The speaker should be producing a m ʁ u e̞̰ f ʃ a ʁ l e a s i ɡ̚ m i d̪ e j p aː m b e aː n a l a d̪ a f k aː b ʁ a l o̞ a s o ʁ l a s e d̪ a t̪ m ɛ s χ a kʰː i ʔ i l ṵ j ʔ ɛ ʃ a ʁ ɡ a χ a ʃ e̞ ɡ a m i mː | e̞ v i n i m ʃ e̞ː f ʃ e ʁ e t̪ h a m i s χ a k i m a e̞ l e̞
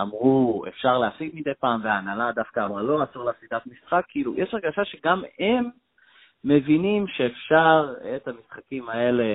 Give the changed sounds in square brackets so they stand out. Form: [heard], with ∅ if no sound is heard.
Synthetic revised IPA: a m ʁ u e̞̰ f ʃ a ʁ l e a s i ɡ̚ m i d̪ e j p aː m [v] e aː n a l a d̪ a f k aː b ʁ a l o̞ a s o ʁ l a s [i] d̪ a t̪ m [i] s χ a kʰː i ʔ i l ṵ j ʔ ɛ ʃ a ʁ ɡ a [ʃ] a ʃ e̞ ɡ a m [e] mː | e̞ v i n i m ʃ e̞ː f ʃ [a] ʁ e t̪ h a m i s χ a k i m a e̞ l e̞